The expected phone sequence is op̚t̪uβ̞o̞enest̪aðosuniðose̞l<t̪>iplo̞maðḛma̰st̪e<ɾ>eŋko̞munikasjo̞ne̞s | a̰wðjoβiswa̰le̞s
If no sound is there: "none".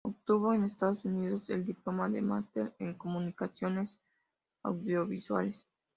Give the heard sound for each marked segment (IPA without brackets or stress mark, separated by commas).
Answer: d̪, ɾ